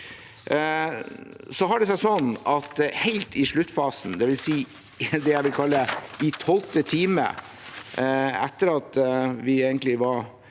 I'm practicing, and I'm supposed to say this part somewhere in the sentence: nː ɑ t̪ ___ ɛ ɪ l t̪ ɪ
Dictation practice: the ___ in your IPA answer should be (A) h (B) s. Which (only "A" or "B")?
A